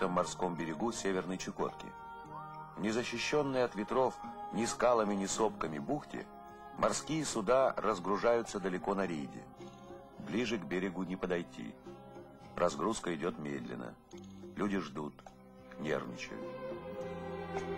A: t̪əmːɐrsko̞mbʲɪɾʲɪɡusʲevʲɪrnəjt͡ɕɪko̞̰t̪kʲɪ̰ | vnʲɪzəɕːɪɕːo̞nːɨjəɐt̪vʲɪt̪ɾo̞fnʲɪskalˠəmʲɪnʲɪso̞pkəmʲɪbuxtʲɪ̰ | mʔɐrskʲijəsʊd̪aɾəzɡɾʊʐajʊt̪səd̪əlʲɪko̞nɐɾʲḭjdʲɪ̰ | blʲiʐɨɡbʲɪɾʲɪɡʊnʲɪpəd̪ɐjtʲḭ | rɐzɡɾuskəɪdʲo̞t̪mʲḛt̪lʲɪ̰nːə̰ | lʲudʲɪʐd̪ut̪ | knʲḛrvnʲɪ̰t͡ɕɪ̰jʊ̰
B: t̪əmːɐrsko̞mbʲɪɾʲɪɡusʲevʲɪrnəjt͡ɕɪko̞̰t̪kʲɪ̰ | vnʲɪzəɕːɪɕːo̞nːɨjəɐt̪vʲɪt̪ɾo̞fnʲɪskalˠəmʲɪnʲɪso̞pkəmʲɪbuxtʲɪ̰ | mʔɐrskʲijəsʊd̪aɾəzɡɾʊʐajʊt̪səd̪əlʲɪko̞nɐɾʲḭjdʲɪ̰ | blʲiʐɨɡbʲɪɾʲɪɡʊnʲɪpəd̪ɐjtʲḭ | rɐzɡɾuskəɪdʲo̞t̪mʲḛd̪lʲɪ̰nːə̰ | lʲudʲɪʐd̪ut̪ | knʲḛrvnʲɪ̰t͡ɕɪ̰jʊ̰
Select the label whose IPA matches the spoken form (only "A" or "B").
B